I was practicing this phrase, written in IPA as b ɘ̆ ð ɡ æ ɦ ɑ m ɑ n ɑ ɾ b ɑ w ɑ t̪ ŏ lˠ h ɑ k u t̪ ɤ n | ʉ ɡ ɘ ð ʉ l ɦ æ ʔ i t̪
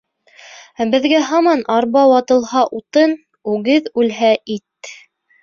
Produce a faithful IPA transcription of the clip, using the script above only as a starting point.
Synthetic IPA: b ɘ̆ ð ɡ æ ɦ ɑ m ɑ n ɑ ɾ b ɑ w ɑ t̪ ɤ̆ lˠ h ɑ ʔ u t̪ ɤ n | ʉ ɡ ɘ ð ʉ l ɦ æ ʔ i t̪